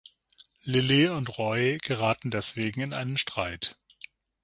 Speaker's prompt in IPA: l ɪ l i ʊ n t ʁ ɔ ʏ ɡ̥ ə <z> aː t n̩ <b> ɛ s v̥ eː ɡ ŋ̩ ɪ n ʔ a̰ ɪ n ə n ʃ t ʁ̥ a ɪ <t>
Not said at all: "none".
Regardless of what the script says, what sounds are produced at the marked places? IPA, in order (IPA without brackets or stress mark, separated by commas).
ʁ, d, t